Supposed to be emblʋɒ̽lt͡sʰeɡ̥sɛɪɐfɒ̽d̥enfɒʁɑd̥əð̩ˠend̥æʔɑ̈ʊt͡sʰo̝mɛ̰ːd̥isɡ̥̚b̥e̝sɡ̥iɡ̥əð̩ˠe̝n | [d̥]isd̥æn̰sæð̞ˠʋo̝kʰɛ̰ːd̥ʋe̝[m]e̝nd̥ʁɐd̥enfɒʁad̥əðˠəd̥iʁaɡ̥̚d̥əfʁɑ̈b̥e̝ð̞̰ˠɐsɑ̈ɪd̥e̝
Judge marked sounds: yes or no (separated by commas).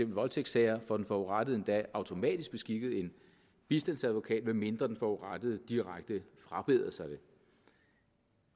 no, yes